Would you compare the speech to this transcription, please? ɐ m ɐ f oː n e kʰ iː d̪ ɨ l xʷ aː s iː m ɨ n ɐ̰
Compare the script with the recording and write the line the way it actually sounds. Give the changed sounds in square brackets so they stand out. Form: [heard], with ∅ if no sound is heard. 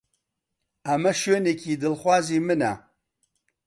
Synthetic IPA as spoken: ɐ m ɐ [ʃ] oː n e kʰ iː d̪ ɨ l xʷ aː [z] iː m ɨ n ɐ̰